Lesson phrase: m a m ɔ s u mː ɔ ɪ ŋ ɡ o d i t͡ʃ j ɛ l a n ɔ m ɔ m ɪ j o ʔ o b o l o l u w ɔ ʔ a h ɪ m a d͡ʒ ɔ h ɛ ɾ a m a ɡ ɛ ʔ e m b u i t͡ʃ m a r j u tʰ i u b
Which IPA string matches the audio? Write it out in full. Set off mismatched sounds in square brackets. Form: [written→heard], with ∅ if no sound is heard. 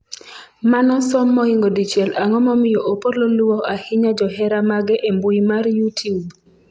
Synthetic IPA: m a [m→n] ɔ s [u→ɔ] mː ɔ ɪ ŋ ɡ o d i t͡ʃ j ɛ l a [n→ŋ] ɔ m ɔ m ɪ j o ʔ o [b→p] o l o l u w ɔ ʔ a h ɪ [m→ɲ] a d͡ʒ ɔ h ɛ ɾ a m a ɡ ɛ ʔ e m b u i [t͡ʃ→∅] m a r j u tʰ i u b